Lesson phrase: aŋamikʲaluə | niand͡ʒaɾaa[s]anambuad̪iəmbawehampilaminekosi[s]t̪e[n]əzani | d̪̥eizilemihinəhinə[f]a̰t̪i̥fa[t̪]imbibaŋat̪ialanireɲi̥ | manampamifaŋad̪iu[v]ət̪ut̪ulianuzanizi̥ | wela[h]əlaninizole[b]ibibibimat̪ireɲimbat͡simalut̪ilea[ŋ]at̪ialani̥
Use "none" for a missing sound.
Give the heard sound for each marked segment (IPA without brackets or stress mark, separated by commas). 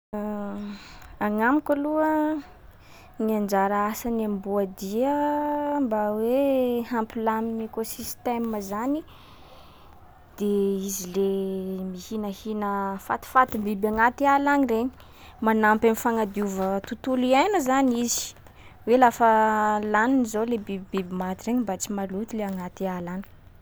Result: s, s, m, f, t̪, v, f, b, ŋ